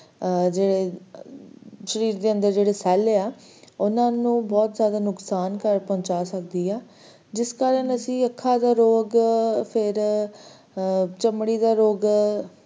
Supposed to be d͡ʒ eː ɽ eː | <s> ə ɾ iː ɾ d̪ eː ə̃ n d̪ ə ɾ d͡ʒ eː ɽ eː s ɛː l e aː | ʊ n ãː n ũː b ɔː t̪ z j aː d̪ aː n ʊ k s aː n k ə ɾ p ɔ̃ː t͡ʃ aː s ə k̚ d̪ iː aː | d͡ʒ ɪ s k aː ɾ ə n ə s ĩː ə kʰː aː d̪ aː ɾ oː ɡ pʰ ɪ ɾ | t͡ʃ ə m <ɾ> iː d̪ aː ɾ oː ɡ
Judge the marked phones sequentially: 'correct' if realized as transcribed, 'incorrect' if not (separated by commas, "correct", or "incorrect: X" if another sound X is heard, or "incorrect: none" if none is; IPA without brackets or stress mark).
incorrect: ʃ, incorrect: ɽ